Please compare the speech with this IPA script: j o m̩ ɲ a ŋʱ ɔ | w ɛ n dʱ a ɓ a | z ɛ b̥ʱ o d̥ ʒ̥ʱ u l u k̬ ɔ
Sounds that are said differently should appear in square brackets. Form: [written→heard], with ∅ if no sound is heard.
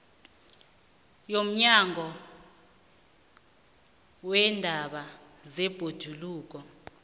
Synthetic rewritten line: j o m̩ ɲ a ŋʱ ɔ | w ɛ n dʱ a ɓ a | z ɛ b̥ʱ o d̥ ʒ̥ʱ u l [u→uː] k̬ ɔ